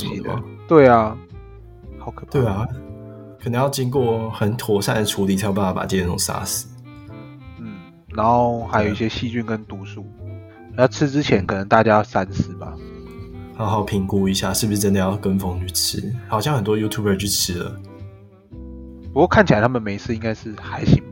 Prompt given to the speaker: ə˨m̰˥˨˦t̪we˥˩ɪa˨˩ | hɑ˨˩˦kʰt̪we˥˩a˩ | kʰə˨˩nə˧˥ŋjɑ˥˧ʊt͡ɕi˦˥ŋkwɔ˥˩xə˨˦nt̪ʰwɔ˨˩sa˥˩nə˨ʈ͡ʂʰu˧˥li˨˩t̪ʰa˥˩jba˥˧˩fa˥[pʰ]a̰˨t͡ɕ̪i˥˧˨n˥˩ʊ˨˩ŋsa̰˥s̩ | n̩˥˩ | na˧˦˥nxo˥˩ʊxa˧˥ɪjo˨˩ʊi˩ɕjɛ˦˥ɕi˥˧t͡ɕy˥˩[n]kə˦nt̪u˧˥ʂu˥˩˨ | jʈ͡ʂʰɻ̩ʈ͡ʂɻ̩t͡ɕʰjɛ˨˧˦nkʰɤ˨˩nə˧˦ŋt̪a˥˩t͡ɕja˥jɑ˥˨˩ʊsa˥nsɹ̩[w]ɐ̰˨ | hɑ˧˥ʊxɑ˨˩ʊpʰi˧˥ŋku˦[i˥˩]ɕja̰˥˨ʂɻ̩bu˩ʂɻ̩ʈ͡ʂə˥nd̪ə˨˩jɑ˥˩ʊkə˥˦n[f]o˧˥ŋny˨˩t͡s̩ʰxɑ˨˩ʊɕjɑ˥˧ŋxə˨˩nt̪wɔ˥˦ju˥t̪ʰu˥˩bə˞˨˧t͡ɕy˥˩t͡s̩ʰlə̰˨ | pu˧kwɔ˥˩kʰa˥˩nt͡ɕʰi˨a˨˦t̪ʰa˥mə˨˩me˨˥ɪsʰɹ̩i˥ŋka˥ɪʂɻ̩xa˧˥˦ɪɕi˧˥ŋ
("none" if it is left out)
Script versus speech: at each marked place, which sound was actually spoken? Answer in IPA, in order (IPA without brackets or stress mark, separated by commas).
p, n, b, i˧˥, f